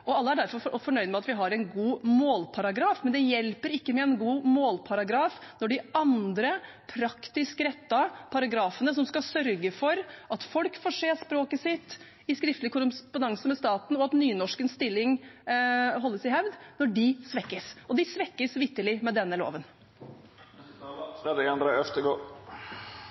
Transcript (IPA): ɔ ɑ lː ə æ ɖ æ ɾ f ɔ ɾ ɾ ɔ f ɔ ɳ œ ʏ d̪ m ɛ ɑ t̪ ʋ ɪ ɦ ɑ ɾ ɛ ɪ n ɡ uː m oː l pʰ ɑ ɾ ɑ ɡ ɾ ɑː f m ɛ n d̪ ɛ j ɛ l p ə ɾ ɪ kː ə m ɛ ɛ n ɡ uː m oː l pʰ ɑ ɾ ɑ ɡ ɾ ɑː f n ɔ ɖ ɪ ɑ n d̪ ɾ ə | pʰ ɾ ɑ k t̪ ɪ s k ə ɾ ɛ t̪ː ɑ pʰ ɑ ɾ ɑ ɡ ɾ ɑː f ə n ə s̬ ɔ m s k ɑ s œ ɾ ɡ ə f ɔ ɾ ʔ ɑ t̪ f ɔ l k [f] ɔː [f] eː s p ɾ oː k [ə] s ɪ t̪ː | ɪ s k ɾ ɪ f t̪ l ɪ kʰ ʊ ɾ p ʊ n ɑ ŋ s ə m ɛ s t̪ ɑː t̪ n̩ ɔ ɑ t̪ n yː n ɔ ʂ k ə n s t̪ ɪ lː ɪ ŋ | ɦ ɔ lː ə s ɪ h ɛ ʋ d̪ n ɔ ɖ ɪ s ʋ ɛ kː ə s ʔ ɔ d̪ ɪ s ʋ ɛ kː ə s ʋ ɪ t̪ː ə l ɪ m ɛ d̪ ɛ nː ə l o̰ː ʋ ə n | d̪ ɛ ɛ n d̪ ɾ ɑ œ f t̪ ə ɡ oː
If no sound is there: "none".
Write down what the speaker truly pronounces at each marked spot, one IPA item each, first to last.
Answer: f, ʂ, ə

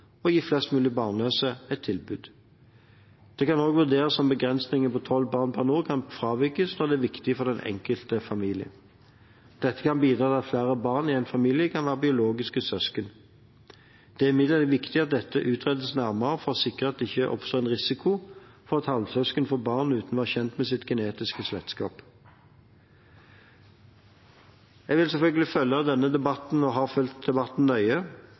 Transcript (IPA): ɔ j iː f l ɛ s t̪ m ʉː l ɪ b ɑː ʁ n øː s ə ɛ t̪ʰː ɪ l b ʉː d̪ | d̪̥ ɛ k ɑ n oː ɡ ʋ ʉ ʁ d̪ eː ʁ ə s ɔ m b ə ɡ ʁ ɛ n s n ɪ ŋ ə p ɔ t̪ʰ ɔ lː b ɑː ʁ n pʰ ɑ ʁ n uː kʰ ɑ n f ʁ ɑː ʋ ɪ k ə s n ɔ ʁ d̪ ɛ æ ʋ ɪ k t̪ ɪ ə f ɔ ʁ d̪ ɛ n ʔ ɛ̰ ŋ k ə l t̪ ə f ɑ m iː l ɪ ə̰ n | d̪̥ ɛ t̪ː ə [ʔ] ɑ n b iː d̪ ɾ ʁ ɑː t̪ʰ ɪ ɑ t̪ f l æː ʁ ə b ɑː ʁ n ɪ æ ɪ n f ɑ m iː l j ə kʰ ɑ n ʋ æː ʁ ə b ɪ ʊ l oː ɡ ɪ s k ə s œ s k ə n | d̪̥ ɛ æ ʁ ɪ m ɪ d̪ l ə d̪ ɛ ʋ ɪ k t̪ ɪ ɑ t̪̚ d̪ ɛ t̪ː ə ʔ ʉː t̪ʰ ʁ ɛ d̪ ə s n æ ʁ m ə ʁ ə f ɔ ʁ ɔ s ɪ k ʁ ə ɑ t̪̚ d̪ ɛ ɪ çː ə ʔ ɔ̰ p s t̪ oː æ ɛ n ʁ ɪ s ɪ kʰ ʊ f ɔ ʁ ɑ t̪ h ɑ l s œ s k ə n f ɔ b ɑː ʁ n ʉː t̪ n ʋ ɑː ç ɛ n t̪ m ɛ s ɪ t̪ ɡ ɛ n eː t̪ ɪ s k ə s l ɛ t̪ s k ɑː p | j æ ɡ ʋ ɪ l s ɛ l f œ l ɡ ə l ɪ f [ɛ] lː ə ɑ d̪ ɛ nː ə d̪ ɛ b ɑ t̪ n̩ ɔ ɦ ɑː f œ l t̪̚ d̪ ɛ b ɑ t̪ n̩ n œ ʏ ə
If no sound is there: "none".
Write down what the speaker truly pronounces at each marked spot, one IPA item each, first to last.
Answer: k, œ

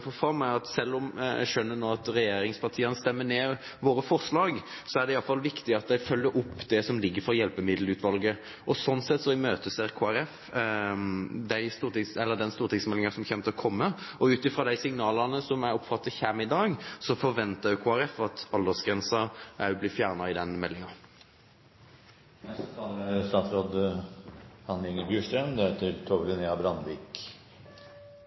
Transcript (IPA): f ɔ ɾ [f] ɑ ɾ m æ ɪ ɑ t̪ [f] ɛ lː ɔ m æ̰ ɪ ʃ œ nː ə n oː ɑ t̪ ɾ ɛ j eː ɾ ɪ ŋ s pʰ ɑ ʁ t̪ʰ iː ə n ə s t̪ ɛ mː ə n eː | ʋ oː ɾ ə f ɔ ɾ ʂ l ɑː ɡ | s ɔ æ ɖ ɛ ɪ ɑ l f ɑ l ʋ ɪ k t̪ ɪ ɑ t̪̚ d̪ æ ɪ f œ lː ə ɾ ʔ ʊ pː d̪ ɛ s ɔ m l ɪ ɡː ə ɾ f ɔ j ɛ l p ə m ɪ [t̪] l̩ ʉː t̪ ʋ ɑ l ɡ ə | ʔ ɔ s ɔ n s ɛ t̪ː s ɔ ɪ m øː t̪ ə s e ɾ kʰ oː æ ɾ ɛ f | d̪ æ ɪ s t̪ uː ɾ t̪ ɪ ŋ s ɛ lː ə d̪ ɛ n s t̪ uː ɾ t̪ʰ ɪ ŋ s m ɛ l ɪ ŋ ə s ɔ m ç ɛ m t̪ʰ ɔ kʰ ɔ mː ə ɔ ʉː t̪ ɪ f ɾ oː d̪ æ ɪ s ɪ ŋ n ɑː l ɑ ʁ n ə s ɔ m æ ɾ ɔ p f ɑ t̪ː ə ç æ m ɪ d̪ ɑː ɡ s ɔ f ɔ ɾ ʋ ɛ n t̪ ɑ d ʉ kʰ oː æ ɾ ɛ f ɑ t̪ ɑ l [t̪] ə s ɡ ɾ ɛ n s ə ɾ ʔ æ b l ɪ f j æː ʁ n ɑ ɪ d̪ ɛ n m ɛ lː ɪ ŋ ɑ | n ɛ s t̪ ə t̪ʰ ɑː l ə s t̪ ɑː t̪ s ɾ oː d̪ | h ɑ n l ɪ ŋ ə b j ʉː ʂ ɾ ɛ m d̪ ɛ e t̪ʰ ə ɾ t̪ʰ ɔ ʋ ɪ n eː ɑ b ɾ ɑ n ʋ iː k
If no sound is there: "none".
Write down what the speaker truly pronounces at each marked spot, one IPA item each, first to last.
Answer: f, s, d̪, d̪

